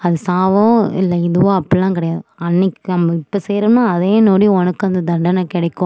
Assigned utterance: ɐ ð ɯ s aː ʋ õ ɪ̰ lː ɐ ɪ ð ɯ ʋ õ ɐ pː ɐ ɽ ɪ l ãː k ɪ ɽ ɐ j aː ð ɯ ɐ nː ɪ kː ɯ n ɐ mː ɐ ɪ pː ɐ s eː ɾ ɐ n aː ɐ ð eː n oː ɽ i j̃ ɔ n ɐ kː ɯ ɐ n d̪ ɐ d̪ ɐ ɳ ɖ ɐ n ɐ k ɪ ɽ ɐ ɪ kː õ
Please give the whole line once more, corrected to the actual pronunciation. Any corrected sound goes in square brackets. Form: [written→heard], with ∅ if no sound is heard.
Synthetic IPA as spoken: ɐ ð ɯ s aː ʋ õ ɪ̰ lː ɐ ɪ ð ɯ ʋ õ ɐ pː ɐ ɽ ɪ l ãː k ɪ ɽ ɐ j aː ð ɯ ɐ nː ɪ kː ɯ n ɐ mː ɐ ɪ pː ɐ s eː ɾ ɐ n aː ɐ ð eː n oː ɽ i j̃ ɔ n ɐ kː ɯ ɐ n d̪ ɐ d̪ ɐ ɳ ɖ ɐ n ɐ k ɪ ɽ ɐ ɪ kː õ